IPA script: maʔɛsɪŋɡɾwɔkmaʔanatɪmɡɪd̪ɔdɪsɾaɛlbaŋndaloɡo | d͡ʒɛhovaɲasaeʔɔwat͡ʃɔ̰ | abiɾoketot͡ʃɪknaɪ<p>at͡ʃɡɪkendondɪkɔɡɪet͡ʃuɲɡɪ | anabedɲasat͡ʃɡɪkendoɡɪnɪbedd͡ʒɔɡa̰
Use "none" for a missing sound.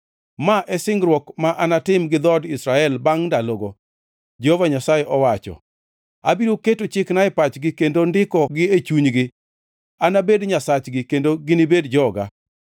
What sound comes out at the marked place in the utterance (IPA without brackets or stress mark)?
p